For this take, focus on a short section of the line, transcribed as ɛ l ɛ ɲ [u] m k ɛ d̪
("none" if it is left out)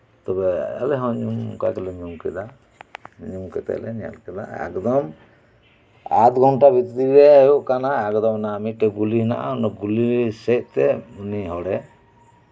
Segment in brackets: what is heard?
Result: u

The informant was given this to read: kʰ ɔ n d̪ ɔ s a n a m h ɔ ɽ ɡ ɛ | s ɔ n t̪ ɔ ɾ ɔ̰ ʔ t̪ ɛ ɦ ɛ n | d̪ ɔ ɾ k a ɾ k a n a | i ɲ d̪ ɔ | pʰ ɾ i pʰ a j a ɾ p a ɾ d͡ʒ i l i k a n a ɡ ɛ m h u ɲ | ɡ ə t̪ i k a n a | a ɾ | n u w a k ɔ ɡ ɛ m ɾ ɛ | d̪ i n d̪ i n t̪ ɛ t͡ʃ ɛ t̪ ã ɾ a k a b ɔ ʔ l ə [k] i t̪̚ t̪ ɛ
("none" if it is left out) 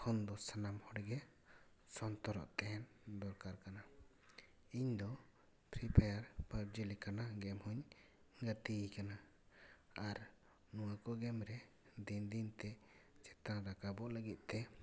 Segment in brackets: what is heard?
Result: ɡ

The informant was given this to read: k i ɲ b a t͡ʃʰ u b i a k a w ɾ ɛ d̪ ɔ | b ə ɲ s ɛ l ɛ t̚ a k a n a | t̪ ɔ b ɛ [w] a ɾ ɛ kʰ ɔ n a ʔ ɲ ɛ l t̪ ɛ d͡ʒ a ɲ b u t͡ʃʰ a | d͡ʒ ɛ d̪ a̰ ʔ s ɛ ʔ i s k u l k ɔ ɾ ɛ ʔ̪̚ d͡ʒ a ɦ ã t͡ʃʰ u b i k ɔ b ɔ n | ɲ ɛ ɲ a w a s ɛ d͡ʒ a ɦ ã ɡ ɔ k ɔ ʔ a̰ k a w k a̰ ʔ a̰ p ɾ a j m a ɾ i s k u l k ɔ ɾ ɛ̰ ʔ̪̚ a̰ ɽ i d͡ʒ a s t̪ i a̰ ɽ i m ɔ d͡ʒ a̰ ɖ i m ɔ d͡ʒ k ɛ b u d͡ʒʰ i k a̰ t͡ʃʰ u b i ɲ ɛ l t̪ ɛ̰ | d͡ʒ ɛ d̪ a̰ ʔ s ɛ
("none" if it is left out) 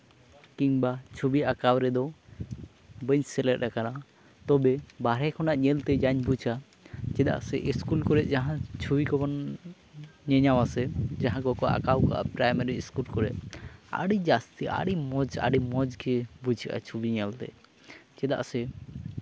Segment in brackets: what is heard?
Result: b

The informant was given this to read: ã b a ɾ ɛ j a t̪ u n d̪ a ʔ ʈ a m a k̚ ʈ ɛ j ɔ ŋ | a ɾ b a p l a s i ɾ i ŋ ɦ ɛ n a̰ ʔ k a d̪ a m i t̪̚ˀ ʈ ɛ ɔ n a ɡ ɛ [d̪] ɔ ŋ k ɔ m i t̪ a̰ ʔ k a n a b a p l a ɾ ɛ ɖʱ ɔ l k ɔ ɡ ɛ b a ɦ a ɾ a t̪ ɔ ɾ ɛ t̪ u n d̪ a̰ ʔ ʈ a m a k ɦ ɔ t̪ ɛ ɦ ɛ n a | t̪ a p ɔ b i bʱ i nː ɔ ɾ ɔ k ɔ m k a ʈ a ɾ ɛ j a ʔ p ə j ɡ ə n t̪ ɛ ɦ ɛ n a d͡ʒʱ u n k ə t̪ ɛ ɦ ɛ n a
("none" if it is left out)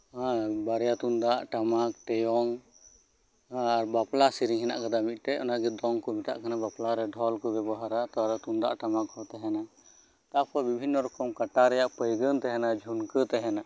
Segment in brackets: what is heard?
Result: d̪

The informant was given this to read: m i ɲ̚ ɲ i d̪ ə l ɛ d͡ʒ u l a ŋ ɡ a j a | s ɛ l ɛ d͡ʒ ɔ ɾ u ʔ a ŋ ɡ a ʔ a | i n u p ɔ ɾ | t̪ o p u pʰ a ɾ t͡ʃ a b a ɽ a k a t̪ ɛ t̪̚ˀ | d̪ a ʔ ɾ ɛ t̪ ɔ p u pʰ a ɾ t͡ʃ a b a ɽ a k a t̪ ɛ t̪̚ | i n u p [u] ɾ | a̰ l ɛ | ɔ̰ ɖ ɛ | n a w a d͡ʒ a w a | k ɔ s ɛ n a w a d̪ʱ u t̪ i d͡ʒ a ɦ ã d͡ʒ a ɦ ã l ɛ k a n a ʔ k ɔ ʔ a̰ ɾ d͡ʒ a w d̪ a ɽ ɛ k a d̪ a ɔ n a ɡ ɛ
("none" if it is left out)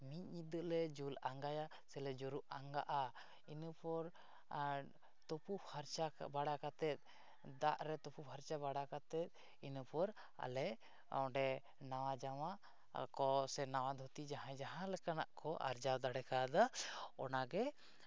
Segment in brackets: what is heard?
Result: ɔ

